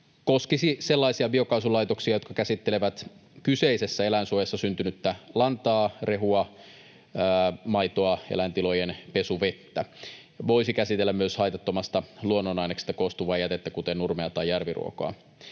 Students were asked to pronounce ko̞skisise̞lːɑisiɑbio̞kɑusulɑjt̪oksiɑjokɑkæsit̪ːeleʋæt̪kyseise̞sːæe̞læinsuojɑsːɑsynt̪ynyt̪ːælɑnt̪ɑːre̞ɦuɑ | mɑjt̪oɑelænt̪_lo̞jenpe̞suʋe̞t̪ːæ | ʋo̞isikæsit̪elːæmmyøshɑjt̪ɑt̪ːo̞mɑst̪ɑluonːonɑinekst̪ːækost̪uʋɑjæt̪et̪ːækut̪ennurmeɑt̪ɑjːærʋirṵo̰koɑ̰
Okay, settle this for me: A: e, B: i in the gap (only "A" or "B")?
B